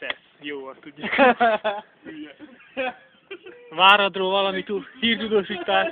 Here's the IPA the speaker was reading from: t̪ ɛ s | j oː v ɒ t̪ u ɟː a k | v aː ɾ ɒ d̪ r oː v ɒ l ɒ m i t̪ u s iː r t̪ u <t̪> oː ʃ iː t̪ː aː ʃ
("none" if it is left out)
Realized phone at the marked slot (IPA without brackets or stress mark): d̪